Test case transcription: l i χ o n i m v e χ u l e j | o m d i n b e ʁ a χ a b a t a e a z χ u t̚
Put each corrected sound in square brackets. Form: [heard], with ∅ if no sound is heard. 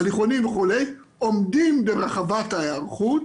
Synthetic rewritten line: l i χ o n i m v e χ u l e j | o m d i [m] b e ʁ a χ a [v] a t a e a [ʁ] χ u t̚